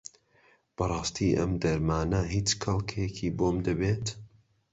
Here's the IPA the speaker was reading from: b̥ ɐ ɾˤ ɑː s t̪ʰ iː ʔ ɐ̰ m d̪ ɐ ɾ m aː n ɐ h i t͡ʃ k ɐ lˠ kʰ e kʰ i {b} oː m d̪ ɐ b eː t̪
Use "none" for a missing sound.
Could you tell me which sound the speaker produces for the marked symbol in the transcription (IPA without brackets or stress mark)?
b